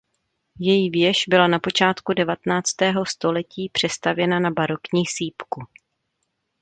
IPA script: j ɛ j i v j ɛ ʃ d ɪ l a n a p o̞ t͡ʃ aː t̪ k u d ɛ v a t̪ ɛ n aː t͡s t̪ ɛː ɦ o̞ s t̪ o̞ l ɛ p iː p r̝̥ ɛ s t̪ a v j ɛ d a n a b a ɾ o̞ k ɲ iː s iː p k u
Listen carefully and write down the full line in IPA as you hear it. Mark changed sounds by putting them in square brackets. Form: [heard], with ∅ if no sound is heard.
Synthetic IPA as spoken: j ɛ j i v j ɛ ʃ [b] ɪ l a n a p o̞ t͡ʃ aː t̪ k u d ɛ v a t̪ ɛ n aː t͡s t̪ ɛː ɦ o̞ s t̪ o̞ l ɛ [c] iː p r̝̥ ɛ s t̪ a v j ɛ [n] a n a b a ɾ o̞ k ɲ iː s iː p k u